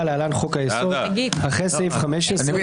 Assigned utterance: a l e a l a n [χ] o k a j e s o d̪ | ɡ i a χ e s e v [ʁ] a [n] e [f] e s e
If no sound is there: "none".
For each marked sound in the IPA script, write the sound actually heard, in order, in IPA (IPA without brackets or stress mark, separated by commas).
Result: χ, χ, m, ʃ